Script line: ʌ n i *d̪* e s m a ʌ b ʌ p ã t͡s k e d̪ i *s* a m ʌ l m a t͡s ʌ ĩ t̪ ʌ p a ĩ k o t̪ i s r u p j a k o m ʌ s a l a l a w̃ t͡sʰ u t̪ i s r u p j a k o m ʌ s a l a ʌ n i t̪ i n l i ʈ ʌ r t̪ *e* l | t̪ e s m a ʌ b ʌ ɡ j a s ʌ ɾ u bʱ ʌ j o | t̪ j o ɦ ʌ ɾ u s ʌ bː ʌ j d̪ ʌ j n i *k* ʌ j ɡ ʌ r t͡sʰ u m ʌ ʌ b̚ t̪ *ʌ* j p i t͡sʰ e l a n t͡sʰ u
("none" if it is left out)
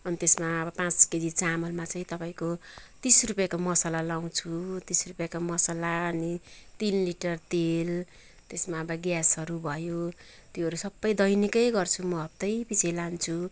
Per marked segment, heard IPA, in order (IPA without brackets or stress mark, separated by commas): t̪, t͡s, e, k, ʌ